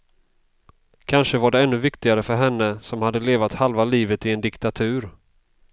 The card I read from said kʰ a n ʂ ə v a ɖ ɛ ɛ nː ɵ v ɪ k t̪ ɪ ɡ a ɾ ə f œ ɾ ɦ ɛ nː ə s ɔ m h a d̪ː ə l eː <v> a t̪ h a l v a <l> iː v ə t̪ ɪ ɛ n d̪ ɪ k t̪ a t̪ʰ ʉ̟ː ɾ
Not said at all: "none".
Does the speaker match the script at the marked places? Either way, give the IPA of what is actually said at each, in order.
v, l

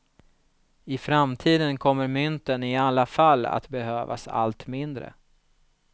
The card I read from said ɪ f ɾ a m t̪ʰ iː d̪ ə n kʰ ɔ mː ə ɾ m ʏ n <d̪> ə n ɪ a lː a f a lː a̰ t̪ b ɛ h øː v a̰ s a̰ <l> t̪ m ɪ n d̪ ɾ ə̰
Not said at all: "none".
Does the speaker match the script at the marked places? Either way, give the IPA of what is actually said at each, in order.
t̪, l

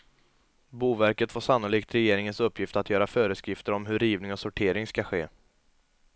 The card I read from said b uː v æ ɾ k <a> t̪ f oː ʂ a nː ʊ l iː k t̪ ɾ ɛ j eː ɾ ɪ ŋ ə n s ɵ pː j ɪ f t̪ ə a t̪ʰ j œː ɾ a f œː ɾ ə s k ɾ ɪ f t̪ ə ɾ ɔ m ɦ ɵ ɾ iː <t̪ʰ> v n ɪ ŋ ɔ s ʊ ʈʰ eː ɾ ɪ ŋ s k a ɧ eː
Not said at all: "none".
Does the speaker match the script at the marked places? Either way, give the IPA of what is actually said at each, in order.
ə, none

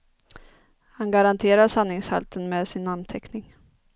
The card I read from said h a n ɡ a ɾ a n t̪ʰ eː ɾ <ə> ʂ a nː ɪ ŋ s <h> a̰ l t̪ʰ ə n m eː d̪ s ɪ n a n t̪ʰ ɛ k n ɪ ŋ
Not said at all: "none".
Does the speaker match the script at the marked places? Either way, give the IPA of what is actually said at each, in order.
a, h

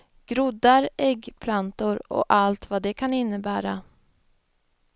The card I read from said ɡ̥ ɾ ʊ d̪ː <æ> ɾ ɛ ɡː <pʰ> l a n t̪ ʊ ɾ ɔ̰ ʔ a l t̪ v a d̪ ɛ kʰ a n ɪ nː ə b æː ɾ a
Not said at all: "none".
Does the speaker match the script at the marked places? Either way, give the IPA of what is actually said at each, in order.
a, pʰ

